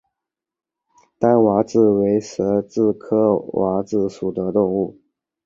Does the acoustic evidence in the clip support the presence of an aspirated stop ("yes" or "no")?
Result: yes